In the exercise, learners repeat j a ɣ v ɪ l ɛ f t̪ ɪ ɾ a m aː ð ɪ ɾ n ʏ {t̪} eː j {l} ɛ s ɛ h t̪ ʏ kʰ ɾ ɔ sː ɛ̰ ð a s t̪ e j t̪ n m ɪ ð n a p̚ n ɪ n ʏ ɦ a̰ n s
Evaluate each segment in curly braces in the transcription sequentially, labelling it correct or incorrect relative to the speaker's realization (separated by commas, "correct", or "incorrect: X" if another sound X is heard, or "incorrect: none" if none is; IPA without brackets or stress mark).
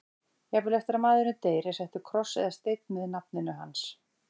correct, incorrect: ɾ